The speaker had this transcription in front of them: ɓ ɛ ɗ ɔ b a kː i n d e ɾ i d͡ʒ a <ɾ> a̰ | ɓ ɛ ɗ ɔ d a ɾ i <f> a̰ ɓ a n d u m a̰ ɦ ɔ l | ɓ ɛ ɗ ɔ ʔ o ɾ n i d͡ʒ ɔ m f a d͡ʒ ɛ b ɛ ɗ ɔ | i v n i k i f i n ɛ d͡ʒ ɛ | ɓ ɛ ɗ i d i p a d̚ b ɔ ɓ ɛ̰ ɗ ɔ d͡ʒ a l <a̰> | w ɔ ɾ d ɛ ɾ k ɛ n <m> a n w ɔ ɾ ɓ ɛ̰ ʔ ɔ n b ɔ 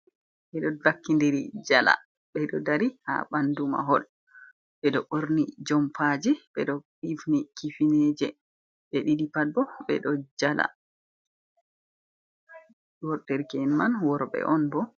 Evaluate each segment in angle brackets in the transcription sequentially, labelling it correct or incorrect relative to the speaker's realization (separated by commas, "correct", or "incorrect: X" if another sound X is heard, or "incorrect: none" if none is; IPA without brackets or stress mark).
incorrect: l, incorrect: h, correct, correct